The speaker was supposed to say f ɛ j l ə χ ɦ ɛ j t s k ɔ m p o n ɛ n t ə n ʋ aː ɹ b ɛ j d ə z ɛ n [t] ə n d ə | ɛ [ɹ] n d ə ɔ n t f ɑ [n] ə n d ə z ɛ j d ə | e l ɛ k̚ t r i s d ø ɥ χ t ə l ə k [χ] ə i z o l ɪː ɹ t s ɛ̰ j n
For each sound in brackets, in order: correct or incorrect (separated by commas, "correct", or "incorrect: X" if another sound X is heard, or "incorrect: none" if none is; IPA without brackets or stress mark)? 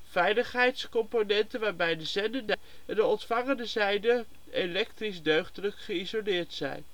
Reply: incorrect: d, incorrect: none, incorrect: ŋ, correct